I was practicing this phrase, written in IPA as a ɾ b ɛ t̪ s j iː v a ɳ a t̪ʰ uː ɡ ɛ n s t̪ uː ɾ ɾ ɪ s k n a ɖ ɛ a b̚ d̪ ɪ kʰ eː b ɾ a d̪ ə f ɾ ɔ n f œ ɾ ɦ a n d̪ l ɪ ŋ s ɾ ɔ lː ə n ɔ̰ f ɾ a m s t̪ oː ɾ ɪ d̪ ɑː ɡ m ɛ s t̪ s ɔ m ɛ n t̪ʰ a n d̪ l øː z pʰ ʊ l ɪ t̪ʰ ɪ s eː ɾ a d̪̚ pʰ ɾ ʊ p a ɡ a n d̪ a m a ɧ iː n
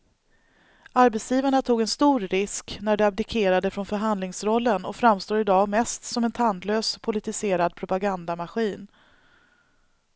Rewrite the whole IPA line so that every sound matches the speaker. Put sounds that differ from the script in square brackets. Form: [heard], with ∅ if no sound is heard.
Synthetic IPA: a ɾ b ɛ t̪ s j iː v a ɳ a t̪ʰ uː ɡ ɛ n s t̪ uː ɾ ɾ ɪ s k n [æ] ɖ ɛ a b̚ d̪ ɪ kʰ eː [∅] ɾ a d̪ ə f ɾ ɔ n f œ ɾ ɦ a n d̪ l ɪ ŋ s ɾ ɔ lː ə n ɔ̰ f ɾ a m s t̪ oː ɾ ɪ d̪ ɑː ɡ m ɛ s t̪ s ɔ m ɛ n t̪ʰ a n d̪ l øː [s] pʰ ʊ l ɪ [t̪] ɪ s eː ɾ a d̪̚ pʰ ɾ ʊ p a ɡ a n d̪ a m a ɧ iː n